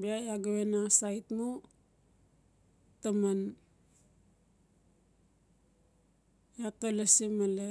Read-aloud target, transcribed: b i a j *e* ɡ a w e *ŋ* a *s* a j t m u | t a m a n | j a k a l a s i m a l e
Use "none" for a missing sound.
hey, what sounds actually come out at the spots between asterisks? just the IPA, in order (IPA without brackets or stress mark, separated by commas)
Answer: a, n, s